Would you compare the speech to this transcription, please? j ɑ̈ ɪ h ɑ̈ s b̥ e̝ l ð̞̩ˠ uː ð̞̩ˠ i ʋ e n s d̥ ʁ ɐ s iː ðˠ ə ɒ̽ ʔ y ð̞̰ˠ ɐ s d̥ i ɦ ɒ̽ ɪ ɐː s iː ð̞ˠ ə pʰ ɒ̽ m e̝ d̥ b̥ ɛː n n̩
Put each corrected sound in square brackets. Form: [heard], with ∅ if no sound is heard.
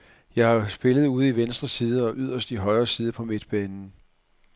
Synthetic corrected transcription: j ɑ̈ ɪ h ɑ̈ s b̥ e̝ l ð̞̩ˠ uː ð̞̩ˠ i ʋ e n s d̥ ʁ ɐ s iː ðˠ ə ɒ̽ ʔ y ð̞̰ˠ ɐ s d̥ i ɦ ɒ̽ ɪ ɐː s iː ð̞ˠ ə pʰ ɒ̽ m e̝ d̥ b̥ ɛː n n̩